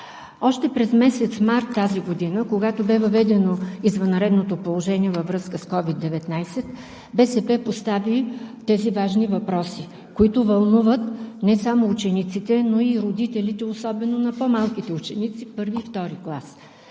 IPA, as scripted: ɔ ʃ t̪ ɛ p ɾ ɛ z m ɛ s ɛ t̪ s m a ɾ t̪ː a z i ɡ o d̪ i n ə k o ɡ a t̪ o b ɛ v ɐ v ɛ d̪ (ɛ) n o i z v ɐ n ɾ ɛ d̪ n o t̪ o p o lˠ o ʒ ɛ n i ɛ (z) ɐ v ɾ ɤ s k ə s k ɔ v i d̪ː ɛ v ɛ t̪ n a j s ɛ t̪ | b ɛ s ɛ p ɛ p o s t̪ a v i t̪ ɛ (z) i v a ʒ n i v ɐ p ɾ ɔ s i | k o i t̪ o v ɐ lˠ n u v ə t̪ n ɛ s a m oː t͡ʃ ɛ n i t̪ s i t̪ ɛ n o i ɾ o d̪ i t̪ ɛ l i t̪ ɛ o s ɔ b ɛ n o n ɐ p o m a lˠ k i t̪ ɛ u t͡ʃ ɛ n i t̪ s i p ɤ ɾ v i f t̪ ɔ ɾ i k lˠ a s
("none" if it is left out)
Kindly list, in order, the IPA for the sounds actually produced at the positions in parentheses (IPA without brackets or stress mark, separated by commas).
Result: ɛ, v, z